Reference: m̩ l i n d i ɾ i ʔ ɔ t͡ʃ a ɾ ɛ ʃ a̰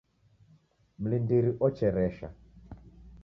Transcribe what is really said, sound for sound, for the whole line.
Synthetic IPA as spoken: m̩ l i n d i ɾ i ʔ ɔ t͡ʃ ɛ ɾ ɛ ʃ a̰